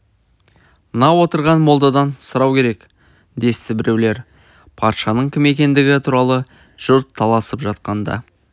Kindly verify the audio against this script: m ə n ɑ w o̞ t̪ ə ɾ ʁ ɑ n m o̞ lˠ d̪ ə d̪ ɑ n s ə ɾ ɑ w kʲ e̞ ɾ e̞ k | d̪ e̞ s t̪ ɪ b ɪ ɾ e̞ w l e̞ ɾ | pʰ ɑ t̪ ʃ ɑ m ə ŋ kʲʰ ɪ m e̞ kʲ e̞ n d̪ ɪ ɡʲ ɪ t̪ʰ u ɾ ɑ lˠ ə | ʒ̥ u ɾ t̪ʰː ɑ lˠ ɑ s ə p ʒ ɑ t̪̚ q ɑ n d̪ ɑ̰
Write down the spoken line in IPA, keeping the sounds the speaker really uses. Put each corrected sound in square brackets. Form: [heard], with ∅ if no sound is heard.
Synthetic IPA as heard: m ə n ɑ w o̞ t̪ ə ɾ ʁ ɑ n m o̞ lˠ d̪ [ɑ] d̪ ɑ n s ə ɾ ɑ w kʲ e̞ ɾ e̞ k | d̪ e̞ s t̪ ɪ b ɪ ɾ e̞ w l e̞ ɾ | pʰ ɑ t̪ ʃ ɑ [n] ə [ɴ] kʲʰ ɪ m e̞ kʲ e̞ n d̪ ɪ ɡʲ ɪ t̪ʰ u ɾ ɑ lˠ ə | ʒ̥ [ʊ] ɾ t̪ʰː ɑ lˠ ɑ s ə p ʒ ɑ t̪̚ q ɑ n d̪ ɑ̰